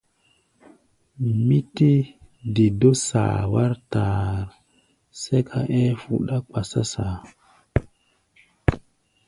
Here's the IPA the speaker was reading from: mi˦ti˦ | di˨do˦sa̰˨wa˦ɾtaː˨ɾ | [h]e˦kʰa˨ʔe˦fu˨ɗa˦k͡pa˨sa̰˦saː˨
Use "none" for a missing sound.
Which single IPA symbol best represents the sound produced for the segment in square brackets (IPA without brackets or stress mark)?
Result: s